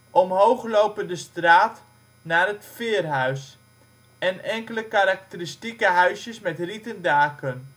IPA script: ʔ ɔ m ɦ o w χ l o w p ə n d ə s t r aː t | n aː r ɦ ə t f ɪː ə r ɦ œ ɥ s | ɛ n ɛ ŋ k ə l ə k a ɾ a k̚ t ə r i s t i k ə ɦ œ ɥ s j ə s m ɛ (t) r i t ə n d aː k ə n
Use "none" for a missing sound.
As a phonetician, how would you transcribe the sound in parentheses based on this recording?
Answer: t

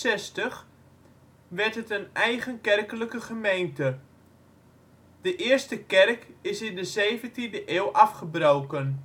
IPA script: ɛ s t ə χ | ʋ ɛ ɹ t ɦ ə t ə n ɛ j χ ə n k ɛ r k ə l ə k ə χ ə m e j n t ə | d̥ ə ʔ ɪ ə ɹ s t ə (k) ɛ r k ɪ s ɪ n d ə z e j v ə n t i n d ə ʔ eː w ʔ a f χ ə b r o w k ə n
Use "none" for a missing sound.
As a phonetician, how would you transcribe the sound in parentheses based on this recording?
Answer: k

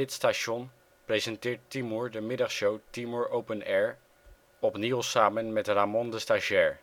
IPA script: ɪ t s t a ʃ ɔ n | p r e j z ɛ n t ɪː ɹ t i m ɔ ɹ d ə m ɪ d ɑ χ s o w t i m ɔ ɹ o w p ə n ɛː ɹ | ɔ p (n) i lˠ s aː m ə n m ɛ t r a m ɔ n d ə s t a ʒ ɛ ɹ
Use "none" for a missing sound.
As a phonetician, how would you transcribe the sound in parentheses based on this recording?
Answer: n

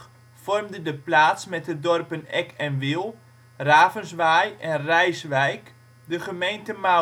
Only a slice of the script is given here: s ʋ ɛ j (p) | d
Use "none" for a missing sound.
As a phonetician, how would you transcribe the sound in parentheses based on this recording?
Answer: k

